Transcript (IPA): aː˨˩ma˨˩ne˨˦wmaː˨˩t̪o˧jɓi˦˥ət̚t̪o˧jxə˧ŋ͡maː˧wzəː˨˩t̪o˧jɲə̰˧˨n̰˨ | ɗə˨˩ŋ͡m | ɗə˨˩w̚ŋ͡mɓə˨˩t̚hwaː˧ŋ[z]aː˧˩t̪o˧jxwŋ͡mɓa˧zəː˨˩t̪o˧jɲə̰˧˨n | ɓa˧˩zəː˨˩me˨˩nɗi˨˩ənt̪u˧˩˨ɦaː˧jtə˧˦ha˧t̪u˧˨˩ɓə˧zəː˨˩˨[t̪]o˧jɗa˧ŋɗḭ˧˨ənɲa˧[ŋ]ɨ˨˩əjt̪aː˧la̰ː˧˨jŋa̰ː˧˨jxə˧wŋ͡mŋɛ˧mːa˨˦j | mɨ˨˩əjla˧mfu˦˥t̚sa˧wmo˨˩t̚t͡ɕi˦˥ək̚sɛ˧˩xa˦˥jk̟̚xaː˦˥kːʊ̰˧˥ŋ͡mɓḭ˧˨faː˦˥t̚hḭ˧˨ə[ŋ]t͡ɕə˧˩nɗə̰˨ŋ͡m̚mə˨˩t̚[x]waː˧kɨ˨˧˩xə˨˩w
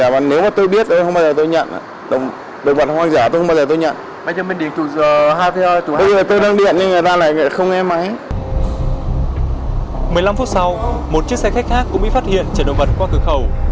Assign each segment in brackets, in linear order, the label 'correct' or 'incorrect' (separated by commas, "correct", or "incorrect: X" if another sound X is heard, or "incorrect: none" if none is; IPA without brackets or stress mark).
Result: correct, correct, correct, incorrect: n, incorrect: k